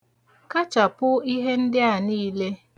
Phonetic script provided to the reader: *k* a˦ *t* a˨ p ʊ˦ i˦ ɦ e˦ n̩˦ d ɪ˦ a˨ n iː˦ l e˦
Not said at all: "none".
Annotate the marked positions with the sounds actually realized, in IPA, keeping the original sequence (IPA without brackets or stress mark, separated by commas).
k, t͡ʃ